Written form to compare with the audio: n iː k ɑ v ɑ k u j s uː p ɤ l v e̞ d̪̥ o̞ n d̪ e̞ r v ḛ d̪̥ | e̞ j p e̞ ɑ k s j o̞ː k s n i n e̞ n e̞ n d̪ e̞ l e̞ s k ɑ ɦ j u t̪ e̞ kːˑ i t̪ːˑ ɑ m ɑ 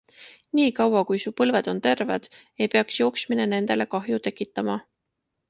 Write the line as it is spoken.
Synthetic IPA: n iː k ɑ w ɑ k u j s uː p ɤ l v e̞ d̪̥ o̞ n t̪ e̞ r v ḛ d̪̥ | e̞ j p e̞ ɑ k s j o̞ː k s m i n e̞ n e̞ n d̪ e̞ l e̞ k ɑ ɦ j u t̪ e̞ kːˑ i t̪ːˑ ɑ m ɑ